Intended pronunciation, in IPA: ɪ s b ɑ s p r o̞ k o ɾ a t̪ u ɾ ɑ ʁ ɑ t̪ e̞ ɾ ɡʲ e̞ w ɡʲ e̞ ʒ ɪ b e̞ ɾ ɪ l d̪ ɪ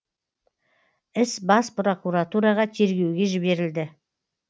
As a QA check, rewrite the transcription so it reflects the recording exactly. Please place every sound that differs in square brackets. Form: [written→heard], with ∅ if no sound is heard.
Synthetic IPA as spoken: ɪ s b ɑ s p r o̞ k [o→u] ɾ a t̪ u ɾ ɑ ʁ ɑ [t̪→t̪ʰ] e̞ ɾ ɡʲ e̞ w ɡʲ e̞ ʒ ɪ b e̞ ɾ ɪ l d̪ ɪ